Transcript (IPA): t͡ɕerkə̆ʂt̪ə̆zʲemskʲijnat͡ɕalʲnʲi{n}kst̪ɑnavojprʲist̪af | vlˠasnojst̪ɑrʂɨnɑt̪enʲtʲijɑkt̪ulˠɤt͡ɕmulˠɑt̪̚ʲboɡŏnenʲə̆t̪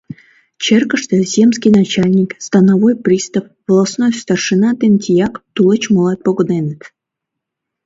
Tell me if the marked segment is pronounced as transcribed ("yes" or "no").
no